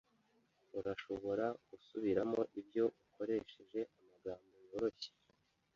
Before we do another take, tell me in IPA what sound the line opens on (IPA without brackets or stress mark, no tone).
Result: u